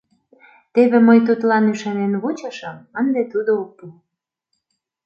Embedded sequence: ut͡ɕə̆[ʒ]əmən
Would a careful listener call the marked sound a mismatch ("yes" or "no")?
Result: yes